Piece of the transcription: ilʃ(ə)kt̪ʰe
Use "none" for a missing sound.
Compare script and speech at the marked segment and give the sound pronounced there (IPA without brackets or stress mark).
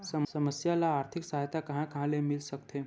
ə